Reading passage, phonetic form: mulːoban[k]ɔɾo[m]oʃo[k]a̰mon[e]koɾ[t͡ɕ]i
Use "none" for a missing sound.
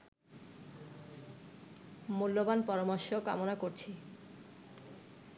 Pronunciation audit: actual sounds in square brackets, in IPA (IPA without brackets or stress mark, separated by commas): p, m, k, a, t͡ɕʰ